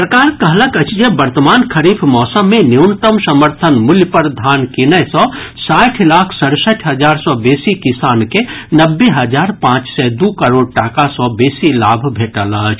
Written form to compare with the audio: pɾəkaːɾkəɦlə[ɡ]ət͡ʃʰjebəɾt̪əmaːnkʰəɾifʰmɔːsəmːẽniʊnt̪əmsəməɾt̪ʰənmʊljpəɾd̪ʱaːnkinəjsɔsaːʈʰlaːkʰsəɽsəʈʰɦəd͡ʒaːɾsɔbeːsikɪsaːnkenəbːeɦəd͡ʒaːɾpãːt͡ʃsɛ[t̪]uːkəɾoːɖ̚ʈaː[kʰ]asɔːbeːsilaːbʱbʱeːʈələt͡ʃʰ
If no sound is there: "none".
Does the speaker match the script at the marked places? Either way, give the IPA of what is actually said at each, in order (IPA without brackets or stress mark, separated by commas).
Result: k, d̪, k